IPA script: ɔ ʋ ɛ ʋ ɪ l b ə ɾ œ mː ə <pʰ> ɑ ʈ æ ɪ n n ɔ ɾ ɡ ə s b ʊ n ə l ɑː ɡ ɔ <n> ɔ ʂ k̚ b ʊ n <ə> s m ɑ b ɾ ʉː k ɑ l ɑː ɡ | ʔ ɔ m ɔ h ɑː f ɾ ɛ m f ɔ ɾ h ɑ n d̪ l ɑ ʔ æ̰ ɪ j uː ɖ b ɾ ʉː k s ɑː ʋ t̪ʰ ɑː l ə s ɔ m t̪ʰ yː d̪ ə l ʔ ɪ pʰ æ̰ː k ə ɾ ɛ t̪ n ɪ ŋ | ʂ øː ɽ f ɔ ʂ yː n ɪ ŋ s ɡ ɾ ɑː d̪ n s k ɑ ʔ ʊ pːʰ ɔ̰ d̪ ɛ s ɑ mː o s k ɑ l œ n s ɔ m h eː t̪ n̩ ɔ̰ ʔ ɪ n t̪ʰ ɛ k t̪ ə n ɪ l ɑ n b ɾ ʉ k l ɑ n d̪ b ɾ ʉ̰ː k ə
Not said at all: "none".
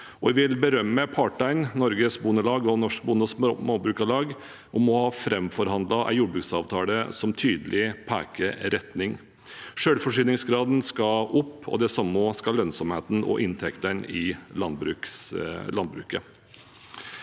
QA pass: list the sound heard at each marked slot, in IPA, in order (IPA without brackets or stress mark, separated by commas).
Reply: pʰ, n, ə